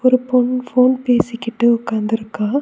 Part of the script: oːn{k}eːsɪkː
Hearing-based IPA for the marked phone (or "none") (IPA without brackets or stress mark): p